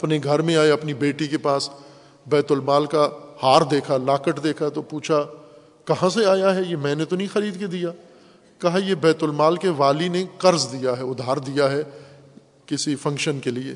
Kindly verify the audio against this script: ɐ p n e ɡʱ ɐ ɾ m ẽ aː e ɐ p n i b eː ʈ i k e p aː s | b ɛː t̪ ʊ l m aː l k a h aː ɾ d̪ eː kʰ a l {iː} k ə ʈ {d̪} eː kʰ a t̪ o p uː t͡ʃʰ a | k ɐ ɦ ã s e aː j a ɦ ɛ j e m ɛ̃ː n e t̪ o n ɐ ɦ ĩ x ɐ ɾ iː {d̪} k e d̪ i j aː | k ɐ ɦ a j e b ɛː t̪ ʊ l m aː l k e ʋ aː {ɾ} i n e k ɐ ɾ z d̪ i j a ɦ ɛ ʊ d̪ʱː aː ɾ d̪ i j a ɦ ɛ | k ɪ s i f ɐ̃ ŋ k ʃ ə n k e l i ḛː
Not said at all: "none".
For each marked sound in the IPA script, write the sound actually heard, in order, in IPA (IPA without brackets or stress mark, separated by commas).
aː, d̪, d̪, l